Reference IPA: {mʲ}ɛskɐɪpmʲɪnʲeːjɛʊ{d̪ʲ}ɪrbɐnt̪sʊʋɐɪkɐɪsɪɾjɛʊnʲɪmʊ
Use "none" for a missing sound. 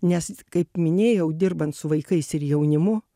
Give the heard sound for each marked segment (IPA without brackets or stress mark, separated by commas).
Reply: nʲ, d̪ʲ